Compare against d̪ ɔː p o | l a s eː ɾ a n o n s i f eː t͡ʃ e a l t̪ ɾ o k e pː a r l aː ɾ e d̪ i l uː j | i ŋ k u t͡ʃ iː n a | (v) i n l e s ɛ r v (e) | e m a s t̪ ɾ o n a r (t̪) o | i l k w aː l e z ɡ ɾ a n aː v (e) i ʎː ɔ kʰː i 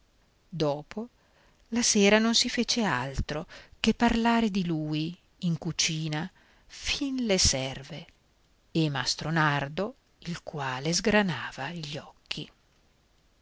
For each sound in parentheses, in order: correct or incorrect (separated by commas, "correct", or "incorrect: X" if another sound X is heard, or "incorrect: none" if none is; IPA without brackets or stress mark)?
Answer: incorrect: f, correct, incorrect: d̪, incorrect: a